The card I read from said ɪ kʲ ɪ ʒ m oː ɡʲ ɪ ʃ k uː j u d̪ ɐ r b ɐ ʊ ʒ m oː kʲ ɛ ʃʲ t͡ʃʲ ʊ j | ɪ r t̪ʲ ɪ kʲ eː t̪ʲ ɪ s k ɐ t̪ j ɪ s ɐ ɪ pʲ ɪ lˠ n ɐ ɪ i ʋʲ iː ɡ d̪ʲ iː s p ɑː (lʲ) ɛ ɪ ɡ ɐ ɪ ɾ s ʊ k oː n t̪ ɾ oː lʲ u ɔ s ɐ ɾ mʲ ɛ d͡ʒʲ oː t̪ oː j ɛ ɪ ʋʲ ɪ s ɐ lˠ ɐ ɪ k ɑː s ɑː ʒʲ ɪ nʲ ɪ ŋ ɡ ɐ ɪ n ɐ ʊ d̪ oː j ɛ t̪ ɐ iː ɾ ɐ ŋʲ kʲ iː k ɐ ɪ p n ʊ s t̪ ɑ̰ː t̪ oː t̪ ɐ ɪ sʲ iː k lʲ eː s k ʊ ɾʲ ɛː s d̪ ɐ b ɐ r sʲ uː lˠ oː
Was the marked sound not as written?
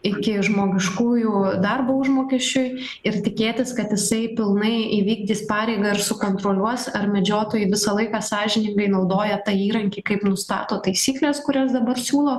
yes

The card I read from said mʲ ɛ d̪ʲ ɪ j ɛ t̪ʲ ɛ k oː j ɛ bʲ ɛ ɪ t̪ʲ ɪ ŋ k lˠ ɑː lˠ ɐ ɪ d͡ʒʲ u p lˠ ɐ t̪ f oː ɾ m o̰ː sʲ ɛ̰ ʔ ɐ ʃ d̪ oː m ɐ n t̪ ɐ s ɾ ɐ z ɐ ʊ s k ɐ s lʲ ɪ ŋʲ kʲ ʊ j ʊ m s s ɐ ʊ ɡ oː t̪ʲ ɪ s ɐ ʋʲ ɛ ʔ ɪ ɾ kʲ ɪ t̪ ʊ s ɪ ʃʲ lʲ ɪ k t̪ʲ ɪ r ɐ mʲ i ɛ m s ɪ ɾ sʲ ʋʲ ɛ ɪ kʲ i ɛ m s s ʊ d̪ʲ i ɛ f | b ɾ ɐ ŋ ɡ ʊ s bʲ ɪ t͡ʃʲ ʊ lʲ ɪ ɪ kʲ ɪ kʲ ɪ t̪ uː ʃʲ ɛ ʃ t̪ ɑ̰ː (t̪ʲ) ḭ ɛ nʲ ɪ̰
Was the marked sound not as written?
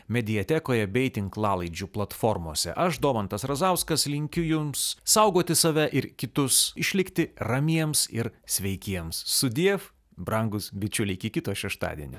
yes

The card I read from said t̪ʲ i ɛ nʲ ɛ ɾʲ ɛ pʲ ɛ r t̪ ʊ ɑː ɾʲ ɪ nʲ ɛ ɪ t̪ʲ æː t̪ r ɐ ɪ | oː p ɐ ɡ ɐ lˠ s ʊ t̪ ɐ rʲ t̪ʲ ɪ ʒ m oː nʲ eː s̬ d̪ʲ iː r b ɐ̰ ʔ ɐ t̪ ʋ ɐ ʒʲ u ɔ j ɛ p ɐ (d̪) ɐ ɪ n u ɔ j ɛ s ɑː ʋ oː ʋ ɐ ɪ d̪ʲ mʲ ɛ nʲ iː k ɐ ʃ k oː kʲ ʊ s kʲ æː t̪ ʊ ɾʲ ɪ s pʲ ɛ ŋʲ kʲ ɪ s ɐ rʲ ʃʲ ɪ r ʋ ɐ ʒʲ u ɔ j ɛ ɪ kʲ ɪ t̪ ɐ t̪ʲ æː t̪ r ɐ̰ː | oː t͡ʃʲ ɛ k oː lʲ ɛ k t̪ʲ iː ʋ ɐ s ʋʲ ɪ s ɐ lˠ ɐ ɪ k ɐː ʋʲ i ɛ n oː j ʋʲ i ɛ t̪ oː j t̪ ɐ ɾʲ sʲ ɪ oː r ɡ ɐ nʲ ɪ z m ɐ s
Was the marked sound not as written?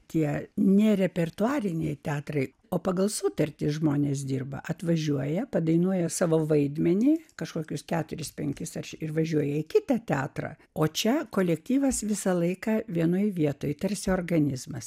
no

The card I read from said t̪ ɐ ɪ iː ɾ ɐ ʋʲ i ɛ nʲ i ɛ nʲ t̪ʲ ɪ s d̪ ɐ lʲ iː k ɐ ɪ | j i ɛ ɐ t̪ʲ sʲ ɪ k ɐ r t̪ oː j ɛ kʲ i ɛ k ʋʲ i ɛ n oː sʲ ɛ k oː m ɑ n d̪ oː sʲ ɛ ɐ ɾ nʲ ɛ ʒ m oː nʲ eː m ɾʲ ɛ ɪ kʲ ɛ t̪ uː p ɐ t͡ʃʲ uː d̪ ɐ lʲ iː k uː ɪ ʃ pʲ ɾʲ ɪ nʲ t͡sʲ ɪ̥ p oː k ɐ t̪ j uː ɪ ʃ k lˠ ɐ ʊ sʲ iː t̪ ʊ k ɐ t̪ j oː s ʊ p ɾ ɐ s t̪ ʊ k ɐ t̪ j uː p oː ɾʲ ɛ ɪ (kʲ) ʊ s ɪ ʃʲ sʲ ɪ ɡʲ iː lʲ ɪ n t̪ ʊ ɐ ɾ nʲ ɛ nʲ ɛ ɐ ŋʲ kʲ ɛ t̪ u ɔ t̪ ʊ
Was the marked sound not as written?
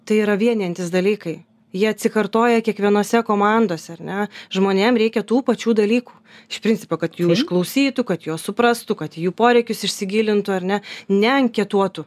no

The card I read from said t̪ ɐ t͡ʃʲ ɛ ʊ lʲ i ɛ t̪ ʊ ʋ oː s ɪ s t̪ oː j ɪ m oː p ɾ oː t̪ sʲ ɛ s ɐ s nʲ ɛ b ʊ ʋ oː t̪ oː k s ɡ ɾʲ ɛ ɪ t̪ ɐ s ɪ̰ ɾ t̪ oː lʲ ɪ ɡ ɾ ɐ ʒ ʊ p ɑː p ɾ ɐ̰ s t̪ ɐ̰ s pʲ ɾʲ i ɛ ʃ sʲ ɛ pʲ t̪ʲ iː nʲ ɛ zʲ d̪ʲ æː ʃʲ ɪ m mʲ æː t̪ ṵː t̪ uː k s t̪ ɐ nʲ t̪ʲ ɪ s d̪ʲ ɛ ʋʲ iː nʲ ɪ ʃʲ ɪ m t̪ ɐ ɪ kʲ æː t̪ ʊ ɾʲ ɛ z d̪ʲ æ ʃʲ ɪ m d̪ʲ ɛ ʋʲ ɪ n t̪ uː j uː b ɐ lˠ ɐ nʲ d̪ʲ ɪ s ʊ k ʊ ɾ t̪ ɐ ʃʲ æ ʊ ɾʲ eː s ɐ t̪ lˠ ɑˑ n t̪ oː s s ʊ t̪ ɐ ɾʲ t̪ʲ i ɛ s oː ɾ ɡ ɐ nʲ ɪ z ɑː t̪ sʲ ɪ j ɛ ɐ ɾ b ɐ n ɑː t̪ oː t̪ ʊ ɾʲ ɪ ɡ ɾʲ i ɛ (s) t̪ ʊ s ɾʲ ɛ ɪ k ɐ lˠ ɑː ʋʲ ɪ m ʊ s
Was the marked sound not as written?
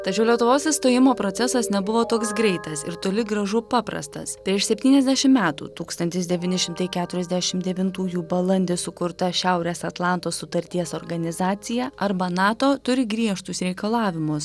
yes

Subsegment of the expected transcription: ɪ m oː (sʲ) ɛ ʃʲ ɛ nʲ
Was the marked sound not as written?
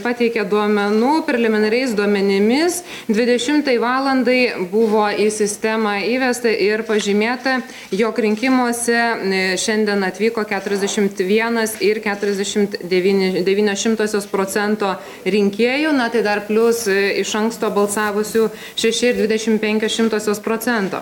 no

